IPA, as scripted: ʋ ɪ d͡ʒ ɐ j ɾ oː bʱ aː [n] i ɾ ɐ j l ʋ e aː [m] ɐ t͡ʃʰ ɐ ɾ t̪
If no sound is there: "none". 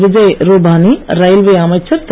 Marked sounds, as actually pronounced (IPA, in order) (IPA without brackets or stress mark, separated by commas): n, m